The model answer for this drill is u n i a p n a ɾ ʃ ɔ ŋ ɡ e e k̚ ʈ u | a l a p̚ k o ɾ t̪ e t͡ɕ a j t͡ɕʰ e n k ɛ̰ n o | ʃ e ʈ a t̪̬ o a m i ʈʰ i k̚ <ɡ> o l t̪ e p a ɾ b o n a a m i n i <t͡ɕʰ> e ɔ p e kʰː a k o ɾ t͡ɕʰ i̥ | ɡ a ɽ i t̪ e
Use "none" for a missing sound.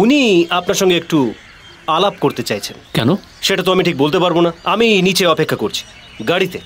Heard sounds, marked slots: b, t͡ɕ

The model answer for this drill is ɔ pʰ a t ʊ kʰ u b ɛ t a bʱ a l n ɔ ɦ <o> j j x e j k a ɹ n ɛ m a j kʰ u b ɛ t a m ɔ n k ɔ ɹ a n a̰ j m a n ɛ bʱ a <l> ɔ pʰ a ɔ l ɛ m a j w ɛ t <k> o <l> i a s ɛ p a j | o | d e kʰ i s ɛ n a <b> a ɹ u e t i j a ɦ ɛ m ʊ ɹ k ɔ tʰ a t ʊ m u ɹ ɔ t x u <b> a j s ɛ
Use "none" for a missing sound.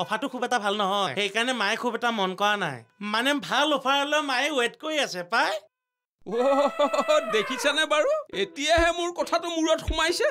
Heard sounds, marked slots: ɔ, l, k, ɹ, b, m

